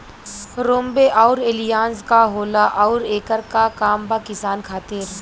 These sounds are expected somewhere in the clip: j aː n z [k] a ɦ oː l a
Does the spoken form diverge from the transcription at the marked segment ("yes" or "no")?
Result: no